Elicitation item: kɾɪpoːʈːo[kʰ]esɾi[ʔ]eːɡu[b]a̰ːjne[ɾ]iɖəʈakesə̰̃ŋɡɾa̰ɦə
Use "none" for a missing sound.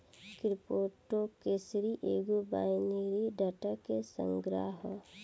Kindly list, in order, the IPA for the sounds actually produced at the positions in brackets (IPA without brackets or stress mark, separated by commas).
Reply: k, ʔ, b, ɾ